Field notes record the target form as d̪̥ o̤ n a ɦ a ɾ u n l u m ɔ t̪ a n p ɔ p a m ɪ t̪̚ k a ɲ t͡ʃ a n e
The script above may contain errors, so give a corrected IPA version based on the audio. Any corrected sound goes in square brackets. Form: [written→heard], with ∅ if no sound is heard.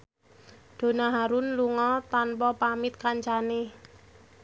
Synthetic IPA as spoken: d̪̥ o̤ n a ɦ a ɾ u n l u [m→ŋ] ɔ t̪ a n p ɔ p a m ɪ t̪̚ k a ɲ t͡ʃ a n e